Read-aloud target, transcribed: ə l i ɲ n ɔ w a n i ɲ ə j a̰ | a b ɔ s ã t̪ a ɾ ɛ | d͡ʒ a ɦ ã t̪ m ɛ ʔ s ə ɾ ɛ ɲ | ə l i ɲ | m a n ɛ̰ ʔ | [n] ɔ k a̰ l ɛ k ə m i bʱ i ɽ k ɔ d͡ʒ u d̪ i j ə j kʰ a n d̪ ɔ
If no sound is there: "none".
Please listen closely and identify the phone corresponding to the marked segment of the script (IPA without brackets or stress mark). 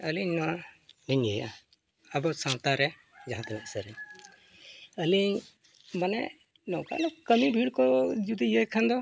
n